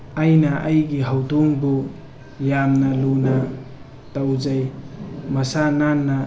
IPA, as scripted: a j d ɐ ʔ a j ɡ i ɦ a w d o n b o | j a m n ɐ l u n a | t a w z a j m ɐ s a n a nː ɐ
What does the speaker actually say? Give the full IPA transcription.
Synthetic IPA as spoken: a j n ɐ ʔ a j ɡ i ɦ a w d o ŋ b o | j a m n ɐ l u n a | t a w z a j m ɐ s a n a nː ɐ